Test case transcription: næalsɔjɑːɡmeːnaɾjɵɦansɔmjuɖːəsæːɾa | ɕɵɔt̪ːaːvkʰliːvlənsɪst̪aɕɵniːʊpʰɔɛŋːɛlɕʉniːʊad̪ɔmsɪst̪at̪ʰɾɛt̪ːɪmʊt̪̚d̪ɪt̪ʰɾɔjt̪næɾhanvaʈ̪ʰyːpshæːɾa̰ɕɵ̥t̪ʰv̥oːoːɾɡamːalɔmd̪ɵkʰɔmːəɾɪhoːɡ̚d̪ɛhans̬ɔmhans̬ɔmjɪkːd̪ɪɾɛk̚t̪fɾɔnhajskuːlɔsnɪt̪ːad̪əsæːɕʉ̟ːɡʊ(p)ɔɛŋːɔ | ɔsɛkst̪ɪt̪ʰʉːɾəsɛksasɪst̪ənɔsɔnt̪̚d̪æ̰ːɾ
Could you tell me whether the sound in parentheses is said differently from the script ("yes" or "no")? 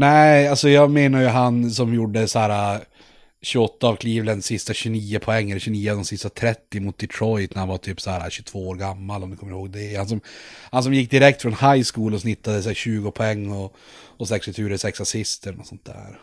yes